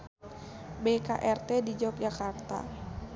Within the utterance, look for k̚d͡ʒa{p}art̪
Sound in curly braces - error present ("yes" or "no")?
yes